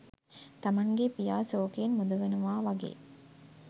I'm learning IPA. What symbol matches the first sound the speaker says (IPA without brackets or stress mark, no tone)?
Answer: t̪